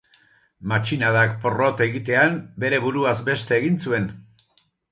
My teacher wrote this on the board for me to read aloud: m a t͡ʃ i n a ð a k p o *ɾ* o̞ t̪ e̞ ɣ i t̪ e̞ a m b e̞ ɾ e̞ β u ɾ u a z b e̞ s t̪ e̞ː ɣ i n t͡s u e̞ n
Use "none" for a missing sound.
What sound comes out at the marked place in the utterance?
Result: r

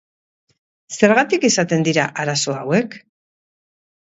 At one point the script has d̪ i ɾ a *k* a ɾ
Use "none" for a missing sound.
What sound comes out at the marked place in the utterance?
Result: ʔ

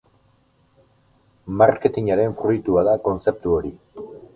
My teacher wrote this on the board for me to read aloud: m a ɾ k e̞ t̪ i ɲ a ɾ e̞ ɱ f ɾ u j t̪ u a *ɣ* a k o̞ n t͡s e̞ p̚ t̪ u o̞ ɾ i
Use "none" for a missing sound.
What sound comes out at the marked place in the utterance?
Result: ð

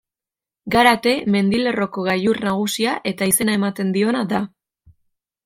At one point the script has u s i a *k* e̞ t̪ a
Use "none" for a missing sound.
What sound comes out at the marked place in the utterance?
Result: ʔ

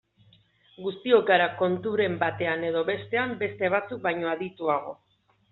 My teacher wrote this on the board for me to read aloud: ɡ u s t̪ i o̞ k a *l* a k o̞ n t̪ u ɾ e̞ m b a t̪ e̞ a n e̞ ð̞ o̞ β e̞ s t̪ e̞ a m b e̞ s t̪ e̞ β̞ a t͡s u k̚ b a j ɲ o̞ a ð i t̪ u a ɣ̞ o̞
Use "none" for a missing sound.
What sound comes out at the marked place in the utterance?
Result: ɾ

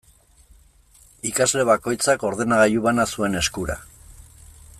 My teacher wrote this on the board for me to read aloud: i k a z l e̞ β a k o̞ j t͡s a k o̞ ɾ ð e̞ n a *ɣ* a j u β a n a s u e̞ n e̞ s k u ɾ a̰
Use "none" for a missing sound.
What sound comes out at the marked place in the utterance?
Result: ɣ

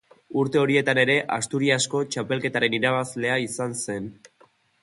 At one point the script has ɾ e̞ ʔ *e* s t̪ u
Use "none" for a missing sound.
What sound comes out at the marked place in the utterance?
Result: a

